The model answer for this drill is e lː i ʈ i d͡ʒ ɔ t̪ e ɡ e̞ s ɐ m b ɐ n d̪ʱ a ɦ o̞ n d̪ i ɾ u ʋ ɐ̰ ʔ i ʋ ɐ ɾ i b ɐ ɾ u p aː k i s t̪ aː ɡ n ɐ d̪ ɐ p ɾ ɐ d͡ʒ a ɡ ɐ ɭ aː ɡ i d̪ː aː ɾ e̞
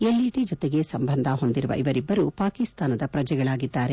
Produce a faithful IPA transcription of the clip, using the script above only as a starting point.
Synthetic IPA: e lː i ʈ i d͡ʒ ɔ t̪ e ɡ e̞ s ɐ m b ɐ n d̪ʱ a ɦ o̞ n d̪ i ɾ u ʋ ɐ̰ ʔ i ʋ ɐ ɾ i bː ɐ ɾ u p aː k i s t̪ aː n ɐ d̪ ɐ p ɾ ɐ d͡ʒ ɛ ɡ ɐ ɭ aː ɡ i d̪ː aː ɾ e̞